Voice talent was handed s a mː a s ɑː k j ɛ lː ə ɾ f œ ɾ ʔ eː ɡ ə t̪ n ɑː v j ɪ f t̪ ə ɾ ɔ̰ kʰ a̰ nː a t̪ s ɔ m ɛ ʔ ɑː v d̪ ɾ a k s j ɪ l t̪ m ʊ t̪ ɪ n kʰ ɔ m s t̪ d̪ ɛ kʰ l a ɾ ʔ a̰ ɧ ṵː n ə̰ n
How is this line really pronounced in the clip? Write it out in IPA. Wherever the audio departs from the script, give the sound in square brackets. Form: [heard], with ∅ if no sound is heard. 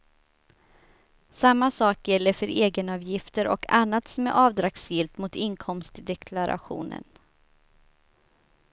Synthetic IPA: s a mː a s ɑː k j ɛ lː ə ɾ f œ ɾ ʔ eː ɡ ə [∅] n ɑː v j ɪ f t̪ ə ɾ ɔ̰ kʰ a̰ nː a t̪ s ɔ m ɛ ʔ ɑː v d̪ ɾ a k s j ɪ l t̪ m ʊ t̪ ɪ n kʰ ɔ m s t̪ d̪ ɛ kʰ l a ɾ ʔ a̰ ɧ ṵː n ə̰ n